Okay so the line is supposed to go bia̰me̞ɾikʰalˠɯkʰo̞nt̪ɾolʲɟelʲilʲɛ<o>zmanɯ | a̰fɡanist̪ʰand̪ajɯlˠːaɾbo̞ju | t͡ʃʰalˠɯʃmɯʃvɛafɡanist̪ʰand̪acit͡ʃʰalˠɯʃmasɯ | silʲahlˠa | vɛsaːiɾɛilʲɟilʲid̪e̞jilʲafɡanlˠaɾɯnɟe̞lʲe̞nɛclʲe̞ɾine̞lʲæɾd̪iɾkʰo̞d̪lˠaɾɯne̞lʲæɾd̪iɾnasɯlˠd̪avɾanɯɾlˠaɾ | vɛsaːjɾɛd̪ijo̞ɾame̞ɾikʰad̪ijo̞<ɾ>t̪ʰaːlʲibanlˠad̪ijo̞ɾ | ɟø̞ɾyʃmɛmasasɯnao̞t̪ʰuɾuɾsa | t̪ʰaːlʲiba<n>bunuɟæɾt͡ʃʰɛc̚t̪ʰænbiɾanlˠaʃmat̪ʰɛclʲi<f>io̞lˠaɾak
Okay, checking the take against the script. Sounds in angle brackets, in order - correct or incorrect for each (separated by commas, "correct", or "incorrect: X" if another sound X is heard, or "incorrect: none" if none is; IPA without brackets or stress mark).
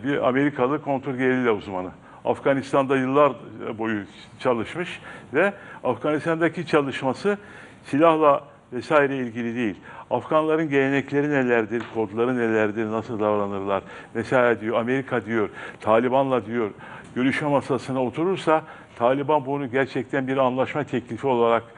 incorrect: u, correct, correct, correct